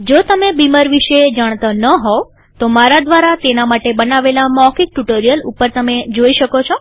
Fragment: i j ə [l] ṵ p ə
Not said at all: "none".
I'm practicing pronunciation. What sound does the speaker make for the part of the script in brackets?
l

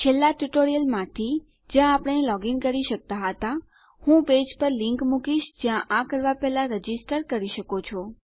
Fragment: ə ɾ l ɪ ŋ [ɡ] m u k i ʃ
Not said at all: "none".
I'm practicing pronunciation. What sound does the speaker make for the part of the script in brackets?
k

